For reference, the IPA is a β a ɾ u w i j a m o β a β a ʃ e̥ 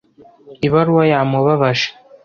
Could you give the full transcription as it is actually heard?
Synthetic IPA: i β a ɾ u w a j a m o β a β a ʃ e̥